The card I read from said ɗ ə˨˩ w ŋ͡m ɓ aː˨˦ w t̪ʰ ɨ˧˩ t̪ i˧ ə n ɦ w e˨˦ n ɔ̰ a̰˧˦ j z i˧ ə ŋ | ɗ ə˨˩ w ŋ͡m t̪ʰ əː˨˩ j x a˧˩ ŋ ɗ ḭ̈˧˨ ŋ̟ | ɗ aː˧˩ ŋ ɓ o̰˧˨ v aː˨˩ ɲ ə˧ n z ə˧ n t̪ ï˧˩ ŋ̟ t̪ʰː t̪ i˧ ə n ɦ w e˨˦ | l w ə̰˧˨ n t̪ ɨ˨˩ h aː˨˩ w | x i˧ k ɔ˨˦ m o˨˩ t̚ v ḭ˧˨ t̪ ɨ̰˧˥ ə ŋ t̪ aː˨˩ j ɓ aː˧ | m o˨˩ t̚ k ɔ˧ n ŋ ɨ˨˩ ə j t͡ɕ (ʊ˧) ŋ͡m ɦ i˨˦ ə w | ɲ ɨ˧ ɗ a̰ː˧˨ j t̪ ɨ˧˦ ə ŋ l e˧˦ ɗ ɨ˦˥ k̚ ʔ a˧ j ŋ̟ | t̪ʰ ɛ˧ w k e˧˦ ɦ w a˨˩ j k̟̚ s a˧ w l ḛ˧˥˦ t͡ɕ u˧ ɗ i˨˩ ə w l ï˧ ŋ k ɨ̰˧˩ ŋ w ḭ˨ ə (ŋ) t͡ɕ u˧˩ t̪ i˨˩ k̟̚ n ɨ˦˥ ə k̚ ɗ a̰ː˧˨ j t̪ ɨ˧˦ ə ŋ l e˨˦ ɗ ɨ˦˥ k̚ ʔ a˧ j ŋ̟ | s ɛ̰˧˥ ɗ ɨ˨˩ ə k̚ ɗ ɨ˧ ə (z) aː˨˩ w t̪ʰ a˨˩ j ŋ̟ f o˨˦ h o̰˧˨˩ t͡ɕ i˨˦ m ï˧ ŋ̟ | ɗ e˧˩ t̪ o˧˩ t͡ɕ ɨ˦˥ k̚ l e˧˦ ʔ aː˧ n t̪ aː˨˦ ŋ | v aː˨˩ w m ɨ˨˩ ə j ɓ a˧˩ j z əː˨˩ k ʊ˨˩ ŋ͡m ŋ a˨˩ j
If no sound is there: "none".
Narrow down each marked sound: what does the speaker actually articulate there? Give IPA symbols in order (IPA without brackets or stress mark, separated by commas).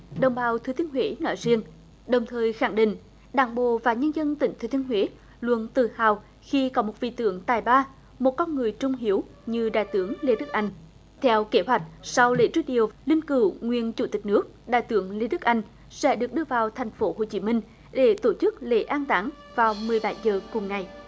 ʊ˧, n, v